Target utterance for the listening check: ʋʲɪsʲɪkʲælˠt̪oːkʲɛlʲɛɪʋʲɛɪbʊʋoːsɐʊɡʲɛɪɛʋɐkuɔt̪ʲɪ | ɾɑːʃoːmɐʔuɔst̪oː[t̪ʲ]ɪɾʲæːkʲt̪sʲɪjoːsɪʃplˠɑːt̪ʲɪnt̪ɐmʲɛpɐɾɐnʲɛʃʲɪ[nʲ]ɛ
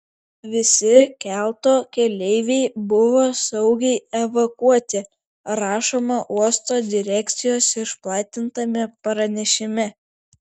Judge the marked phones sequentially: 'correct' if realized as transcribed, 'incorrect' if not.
incorrect: d̪ʲ, incorrect: mʲ

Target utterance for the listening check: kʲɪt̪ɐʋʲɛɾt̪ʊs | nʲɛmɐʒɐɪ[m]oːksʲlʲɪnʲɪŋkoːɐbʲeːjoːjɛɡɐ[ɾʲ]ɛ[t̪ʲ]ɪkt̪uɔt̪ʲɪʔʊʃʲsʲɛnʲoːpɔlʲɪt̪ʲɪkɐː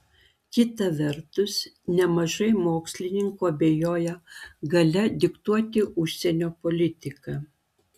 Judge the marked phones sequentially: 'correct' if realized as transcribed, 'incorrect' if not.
correct, incorrect: lʲ, incorrect: d̪ʲ

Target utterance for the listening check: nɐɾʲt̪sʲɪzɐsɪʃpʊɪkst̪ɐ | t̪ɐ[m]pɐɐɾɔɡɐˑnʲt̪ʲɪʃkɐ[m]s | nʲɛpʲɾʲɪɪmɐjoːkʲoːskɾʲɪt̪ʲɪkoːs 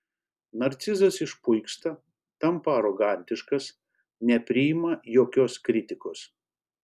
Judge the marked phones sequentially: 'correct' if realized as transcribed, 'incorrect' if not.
correct, incorrect: none

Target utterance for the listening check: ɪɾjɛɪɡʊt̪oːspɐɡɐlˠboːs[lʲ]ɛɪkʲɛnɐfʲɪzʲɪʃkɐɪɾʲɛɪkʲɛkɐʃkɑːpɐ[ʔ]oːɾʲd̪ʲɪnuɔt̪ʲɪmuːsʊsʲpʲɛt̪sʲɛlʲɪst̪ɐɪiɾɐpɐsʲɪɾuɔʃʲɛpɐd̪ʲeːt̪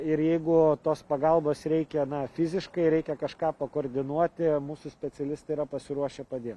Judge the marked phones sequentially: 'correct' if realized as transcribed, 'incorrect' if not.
incorrect: ɾʲ, incorrect: k

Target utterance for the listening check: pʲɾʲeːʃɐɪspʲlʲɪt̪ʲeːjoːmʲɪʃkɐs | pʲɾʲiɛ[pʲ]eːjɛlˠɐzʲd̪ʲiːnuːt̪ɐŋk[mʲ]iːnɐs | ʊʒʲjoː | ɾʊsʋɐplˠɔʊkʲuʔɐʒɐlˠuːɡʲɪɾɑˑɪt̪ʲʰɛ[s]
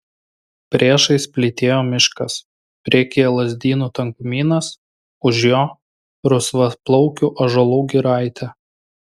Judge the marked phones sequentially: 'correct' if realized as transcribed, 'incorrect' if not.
incorrect: kʲ, correct, incorrect: none

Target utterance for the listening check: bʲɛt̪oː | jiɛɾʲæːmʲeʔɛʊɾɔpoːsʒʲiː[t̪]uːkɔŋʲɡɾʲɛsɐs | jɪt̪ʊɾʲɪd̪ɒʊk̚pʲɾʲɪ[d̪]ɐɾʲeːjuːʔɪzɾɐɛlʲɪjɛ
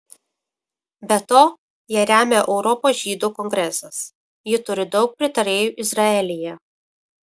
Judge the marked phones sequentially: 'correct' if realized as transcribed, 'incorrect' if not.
incorrect: d̪, incorrect: t̪

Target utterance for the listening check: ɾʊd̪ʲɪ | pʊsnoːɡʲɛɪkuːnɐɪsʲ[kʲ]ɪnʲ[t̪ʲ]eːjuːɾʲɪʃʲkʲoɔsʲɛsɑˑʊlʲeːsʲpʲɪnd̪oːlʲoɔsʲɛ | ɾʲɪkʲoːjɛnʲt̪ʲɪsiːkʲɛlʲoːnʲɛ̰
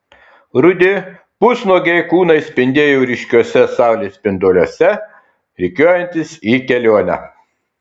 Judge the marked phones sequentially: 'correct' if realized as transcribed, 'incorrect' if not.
incorrect: pʲ, incorrect: d̪ʲ

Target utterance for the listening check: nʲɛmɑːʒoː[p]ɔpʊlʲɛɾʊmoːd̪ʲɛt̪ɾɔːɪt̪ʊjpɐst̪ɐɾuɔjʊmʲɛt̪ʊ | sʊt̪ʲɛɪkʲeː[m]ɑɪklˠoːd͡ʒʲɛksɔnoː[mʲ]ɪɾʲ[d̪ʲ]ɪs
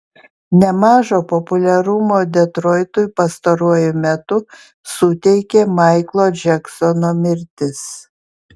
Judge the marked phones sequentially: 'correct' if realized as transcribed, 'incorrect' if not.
correct, correct, correct, incorrect: t̪ʲ

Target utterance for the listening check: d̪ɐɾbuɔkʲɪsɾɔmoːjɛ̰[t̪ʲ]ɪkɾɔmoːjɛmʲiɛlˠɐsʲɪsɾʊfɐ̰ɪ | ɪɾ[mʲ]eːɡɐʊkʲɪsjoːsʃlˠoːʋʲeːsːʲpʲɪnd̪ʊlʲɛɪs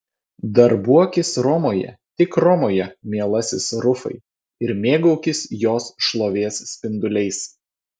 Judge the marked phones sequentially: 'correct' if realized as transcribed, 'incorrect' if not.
correct, correct

